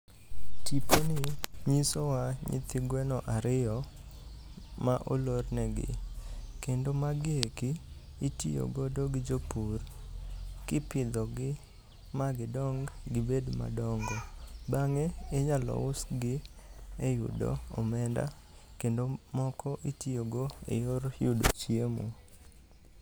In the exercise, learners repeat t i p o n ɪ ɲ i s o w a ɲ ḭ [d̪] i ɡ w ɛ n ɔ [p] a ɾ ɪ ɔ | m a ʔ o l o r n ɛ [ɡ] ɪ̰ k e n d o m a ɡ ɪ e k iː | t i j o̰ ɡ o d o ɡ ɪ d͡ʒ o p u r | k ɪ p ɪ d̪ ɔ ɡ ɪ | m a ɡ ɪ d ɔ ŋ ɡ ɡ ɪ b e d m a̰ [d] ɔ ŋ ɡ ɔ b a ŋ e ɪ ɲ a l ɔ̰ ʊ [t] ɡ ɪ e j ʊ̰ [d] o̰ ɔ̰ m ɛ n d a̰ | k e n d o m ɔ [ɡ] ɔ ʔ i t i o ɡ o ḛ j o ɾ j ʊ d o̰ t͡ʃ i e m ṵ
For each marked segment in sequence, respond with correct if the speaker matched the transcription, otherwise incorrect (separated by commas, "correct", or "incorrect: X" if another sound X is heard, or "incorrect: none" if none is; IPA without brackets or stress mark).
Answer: incorrect: t̪, incorrect: ʔ, correct, correct, incorrect: s, correct, incorrect: k